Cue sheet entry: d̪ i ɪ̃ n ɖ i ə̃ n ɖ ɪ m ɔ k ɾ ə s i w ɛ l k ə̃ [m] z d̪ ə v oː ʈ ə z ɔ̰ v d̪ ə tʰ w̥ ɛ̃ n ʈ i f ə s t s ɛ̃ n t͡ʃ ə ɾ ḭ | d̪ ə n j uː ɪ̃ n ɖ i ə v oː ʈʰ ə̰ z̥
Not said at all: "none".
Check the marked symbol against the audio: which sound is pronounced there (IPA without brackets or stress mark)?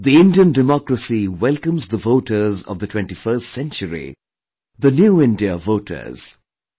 m